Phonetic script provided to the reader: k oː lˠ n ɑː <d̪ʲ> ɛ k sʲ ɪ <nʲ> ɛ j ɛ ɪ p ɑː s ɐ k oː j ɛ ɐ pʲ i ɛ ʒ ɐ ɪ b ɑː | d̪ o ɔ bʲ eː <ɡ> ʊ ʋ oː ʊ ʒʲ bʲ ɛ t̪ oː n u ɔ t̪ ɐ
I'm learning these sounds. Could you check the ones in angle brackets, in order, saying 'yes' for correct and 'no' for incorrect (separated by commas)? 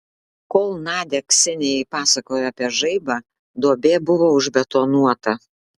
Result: yes, yes, no